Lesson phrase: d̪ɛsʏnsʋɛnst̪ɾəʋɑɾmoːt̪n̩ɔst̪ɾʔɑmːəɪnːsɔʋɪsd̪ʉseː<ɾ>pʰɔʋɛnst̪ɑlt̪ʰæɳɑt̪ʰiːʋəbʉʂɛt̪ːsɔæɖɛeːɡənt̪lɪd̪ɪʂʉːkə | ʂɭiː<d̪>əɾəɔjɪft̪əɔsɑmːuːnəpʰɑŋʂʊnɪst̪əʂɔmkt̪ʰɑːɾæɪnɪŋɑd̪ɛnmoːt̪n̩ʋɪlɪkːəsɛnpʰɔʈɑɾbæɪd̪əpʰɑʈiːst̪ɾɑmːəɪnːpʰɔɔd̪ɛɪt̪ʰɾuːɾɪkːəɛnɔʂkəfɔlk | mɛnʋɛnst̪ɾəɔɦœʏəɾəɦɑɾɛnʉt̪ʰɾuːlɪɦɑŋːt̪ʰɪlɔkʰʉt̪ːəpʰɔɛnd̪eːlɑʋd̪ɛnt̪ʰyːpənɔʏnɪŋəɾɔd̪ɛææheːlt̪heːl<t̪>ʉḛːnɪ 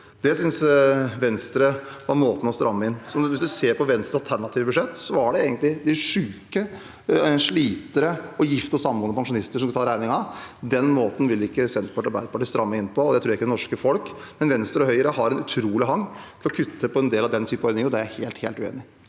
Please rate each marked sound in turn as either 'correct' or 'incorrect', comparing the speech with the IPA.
correct, incorrect, correct

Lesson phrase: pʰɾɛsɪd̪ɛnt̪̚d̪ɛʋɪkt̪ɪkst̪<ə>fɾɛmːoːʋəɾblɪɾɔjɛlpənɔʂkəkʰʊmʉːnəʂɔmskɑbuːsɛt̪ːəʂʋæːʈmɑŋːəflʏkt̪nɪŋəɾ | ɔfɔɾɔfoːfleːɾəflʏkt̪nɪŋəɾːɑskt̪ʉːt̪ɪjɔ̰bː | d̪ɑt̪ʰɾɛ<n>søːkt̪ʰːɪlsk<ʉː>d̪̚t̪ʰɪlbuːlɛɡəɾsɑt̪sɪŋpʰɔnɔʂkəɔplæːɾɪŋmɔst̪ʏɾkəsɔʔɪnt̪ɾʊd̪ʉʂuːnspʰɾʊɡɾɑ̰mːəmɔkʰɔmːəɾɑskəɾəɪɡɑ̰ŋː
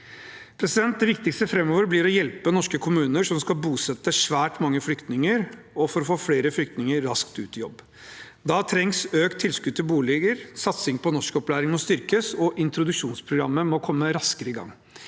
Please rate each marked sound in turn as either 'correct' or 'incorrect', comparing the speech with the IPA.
correct, incorrect, incorrect

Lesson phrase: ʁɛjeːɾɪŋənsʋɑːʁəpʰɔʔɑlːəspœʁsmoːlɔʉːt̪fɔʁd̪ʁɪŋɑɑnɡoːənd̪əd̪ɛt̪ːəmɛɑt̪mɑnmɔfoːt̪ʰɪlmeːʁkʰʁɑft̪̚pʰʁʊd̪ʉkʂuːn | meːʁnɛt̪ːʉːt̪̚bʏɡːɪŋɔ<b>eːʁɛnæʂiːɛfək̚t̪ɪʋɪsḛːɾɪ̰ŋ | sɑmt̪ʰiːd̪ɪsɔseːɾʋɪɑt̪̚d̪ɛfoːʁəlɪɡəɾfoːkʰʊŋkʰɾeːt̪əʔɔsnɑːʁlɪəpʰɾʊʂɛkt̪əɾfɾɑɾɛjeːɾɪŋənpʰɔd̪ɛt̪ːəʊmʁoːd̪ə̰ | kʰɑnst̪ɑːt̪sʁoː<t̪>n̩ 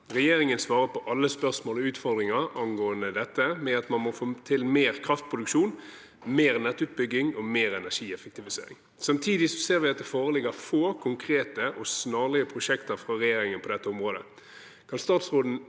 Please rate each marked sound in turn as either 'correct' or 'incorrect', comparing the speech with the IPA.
incorrect, incorrect

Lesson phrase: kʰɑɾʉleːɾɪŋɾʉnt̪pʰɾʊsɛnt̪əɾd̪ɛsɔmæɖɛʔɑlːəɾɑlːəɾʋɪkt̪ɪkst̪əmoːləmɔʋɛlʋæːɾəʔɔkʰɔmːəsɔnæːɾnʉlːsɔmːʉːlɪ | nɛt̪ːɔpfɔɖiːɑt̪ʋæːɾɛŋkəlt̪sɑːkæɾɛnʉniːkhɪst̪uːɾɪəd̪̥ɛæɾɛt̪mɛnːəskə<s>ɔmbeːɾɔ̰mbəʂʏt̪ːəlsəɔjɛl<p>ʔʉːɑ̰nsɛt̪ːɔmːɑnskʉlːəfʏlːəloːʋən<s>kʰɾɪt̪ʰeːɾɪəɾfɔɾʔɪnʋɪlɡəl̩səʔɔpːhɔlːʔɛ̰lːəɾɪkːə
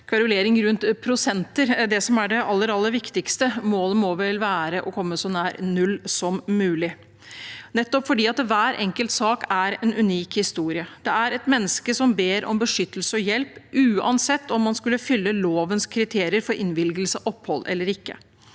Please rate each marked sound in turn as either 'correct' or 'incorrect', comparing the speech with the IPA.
correct, correct, correct

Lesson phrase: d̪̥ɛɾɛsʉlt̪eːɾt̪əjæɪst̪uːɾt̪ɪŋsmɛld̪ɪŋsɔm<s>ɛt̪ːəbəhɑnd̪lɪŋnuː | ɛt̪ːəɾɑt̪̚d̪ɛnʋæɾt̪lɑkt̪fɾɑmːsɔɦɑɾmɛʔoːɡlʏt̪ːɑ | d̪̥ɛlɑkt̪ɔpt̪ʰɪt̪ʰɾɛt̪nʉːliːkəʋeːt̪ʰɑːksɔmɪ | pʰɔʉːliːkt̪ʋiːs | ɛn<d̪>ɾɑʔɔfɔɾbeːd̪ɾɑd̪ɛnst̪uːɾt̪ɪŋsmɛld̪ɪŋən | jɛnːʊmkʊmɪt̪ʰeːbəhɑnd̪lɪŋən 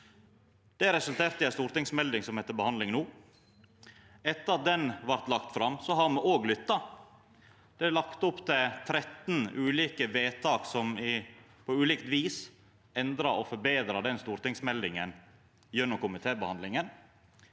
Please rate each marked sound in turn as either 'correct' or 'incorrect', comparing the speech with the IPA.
incorrect, correct

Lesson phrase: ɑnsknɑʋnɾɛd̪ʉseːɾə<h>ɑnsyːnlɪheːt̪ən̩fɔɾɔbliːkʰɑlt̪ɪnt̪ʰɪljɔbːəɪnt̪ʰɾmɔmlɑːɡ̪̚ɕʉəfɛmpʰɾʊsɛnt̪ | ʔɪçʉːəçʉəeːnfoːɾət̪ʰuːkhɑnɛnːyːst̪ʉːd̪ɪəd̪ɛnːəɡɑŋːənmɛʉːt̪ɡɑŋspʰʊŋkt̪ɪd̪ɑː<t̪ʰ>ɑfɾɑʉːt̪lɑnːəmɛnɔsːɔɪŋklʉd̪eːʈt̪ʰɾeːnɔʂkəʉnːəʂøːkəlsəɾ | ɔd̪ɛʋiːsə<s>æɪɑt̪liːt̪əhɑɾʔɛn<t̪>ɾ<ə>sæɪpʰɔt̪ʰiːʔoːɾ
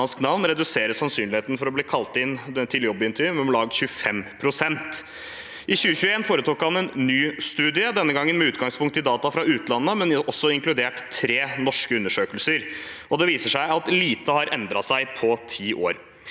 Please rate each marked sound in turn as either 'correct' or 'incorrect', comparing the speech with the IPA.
incorrect, incorrect, incorrect, incorrect, incorrect

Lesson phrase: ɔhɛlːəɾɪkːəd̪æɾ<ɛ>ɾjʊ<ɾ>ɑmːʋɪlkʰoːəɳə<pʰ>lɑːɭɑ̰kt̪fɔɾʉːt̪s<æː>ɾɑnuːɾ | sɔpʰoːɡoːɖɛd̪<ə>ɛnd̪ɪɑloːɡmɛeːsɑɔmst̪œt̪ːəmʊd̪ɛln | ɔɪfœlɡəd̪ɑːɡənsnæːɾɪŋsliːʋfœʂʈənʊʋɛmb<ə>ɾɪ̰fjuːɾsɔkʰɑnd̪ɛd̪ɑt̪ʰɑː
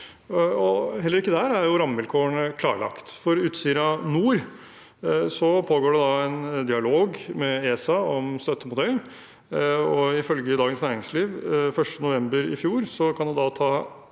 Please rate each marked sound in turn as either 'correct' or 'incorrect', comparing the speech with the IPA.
incorrect, correct, incorrect, incorrect, incorrect, correct

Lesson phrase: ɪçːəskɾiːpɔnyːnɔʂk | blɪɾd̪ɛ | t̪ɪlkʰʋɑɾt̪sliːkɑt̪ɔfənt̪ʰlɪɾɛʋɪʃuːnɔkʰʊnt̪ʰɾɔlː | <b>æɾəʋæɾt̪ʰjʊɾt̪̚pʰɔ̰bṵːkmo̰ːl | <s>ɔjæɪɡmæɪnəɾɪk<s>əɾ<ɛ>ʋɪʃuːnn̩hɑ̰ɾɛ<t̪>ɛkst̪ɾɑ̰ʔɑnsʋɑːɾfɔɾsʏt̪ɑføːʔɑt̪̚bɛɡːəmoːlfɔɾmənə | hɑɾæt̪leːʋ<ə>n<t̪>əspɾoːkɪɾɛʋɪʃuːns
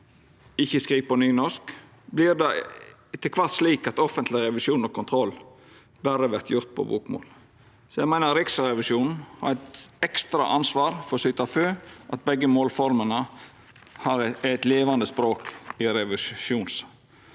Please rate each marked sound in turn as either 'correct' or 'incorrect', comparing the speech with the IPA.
correct, correct, correct, correct, correct, incorrect, incorrect

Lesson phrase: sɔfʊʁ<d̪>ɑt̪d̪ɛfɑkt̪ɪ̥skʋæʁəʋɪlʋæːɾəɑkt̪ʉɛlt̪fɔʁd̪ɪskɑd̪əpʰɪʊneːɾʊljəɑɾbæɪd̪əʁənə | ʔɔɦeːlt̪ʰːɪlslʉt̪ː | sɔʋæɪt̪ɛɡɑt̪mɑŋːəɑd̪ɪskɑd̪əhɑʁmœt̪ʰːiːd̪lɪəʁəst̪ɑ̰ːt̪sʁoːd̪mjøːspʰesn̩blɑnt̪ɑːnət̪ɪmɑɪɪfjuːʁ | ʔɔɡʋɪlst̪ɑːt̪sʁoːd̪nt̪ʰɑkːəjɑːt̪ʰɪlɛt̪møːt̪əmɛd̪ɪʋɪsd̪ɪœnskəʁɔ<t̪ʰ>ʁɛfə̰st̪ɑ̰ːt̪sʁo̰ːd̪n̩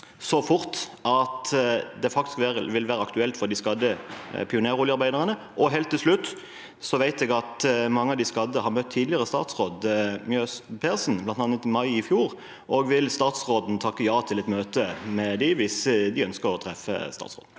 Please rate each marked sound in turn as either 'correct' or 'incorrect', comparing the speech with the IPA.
incorrect, correct

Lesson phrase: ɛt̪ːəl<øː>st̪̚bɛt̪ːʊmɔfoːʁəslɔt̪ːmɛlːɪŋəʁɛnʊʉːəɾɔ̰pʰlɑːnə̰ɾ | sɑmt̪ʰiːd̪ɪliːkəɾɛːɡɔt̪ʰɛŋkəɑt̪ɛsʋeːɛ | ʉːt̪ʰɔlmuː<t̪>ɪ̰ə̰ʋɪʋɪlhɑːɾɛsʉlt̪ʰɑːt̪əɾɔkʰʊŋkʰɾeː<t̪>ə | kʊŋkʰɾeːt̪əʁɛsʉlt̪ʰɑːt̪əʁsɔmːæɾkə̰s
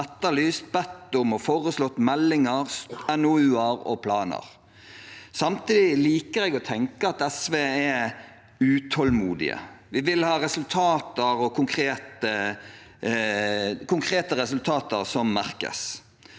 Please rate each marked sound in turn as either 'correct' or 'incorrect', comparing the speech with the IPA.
incorrect, incorrect, correct

